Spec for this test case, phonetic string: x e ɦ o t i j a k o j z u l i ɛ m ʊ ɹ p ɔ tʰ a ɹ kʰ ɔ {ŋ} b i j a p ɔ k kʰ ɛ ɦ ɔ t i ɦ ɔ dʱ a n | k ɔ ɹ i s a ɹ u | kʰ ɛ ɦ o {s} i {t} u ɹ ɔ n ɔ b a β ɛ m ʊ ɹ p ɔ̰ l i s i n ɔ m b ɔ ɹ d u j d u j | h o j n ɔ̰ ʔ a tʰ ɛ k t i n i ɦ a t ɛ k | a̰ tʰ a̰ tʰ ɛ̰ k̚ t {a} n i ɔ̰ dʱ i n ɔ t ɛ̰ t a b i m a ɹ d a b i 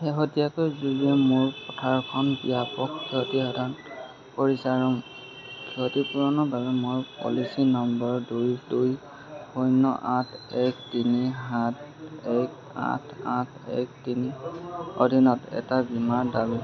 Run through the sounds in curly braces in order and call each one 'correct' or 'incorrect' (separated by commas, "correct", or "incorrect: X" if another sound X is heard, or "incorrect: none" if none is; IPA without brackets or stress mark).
incorrect: n, incorrect: t, incorrect: p, incorrect: i